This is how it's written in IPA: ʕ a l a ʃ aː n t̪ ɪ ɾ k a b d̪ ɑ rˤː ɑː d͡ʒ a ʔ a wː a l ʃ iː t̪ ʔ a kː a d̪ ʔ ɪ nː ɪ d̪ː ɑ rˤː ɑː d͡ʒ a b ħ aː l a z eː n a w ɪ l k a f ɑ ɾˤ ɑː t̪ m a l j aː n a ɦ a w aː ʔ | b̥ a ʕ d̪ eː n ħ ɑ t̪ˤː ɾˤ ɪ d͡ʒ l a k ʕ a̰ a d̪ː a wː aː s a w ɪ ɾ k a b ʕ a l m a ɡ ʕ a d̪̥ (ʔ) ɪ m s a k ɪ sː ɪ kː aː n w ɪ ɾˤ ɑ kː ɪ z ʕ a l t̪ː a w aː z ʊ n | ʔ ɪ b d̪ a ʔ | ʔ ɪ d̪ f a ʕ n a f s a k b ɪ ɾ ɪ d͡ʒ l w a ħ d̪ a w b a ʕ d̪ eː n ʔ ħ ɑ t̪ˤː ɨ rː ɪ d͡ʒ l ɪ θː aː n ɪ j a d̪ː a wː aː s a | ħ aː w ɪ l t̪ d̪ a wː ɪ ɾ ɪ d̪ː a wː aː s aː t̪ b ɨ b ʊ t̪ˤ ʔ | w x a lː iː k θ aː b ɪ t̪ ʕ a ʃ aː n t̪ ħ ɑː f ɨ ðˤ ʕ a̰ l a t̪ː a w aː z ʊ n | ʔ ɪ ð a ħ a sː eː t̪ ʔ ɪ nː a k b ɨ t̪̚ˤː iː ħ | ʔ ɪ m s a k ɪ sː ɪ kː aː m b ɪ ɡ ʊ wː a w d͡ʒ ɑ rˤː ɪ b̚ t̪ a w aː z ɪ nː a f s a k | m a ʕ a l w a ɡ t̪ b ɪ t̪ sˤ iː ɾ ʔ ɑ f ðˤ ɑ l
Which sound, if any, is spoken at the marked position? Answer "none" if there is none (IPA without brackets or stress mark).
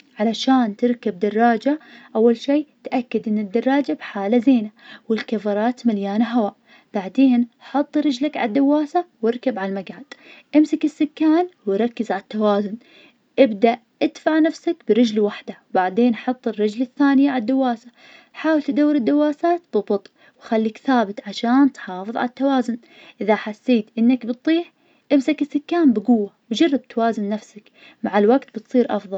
ʔ